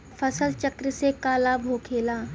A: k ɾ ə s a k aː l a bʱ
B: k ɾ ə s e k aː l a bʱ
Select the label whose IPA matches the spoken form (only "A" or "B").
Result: B